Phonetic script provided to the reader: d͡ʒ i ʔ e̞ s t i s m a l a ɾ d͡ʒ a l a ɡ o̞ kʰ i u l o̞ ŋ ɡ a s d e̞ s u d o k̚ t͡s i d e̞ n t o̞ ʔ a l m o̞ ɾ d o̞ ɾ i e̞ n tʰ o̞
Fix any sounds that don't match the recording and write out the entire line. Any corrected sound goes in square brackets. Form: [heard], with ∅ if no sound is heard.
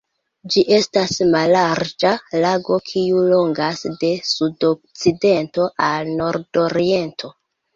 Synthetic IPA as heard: d͡ʒ i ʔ e̞ s t [a] s m a l a ɾ d͡ʒ a l a ɡ o̞ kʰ i u l o̞ ŋ ɡ a s d e̞ s u d o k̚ t͡s i d e̞ n t o̞ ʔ a l [n] o̞ ɾ d o̞ ɾ i e̞ n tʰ o̞